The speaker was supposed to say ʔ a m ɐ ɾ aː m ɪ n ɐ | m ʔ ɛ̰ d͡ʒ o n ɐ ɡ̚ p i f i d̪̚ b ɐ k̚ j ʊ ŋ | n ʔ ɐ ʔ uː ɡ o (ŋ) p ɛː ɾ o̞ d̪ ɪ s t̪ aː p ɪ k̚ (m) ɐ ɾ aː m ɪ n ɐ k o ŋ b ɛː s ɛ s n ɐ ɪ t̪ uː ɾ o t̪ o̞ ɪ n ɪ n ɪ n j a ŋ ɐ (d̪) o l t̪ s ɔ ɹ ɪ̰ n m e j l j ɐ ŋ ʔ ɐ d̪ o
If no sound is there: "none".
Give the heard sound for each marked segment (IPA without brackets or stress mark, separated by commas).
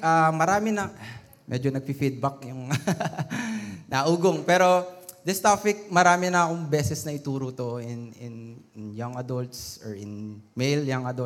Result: ŋ, m, d̪